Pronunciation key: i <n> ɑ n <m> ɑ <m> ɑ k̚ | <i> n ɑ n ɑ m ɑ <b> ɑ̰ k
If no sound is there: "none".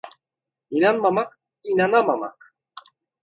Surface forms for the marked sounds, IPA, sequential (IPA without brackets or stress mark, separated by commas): n, m, m, i, m